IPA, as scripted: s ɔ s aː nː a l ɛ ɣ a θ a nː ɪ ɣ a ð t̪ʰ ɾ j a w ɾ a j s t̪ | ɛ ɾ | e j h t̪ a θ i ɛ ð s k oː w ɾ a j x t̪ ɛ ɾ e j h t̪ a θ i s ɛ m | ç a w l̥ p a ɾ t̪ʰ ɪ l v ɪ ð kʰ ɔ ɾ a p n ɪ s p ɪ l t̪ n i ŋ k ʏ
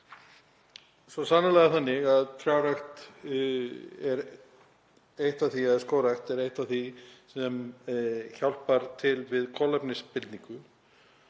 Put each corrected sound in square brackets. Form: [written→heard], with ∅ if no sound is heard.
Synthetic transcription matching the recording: s ɔ s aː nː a l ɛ ɣ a θ a nː ɪ ɣ a ð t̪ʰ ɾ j a w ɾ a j [s→x] t̪ | ɛ ɾ | e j h t̪ a θ i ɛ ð s k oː w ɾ a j x t̪ ɛ ɾ e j h t̪ a θ i s ɛ m | ç a w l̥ p a ɾ t̪ʰ ɪ l v ɪ ð kʰ ɔ [ɾ→l] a p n ɪ s p ɪ l t̪ n i ŋ k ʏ